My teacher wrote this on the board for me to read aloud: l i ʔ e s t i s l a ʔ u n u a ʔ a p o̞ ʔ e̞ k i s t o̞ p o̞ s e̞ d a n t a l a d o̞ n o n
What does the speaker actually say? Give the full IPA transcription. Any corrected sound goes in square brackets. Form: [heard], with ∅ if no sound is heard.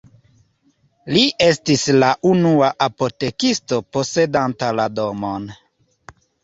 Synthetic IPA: l i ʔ e s t i s l a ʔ u n u a ʔ a p o̞ [t] e̞ k i s t o̞ p o̞ s e̞ d a n t a l a d o̞ [m] o n

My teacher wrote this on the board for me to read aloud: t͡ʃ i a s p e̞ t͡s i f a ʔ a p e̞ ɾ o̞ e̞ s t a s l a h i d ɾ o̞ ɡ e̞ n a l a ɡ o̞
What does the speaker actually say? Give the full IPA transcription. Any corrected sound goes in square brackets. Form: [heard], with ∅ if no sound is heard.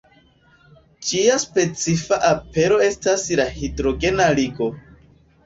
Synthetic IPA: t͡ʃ i a s p e̞ t͡s i f a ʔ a p e̞ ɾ o̞ e̞ s t a s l a h i d ɾ o̞ ɡ e̞ n a l [i] ɡ o̞

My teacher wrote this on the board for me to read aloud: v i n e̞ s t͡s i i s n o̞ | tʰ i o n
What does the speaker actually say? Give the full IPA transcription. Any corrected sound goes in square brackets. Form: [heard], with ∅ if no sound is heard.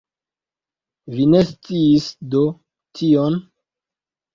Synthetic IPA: v i n e̞ s t͡s i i s [d] o̞ | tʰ i o n

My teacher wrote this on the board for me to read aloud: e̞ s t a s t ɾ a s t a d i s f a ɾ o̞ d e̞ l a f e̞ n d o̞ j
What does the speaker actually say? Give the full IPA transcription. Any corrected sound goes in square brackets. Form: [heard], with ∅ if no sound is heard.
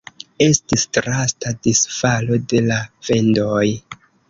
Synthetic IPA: e̞ s t [i] s t ɾ a s t a d i s f a [l] o̞ d e̞ l a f e̞ n d o̞ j

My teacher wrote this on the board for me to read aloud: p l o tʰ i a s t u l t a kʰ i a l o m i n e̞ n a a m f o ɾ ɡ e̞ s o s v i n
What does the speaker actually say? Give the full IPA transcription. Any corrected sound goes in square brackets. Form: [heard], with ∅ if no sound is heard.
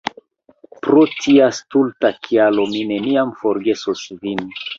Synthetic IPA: p [ɾ] o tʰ i a s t u l t a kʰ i a l o m i n e̞ n [i] a m f o ɾ ɡ e̞ s o s v i n

